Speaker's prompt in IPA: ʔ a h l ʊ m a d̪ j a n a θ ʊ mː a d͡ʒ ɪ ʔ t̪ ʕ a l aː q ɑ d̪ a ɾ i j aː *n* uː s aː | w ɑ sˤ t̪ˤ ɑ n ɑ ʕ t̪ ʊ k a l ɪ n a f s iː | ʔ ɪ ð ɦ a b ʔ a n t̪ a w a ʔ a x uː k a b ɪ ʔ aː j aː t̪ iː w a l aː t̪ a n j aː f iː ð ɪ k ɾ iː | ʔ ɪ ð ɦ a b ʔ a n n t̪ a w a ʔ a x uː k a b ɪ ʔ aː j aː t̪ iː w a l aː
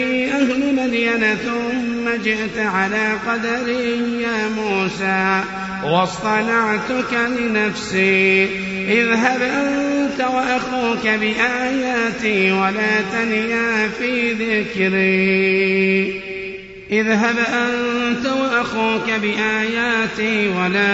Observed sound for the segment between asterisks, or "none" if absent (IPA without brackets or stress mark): m